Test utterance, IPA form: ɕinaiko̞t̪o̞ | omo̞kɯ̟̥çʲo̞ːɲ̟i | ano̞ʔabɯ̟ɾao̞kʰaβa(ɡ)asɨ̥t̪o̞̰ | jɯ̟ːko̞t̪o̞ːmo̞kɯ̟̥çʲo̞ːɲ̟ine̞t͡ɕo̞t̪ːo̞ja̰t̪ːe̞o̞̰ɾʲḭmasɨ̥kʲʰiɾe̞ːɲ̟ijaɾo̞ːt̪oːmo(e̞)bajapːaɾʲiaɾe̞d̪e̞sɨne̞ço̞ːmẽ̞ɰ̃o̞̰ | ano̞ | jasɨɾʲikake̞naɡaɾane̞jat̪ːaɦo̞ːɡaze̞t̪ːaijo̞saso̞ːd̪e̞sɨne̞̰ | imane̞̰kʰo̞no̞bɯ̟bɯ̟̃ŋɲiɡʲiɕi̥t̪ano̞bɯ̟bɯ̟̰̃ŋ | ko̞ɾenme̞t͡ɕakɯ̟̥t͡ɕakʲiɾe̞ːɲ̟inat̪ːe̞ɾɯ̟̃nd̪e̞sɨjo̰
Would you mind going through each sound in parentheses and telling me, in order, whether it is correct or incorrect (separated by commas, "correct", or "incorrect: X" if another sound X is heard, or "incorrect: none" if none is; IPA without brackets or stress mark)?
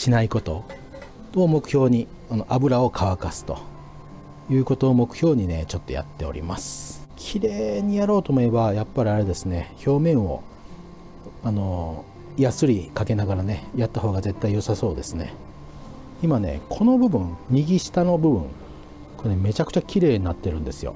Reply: incorrect: k, correct